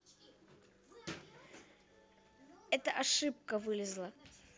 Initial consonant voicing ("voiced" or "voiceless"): voiceless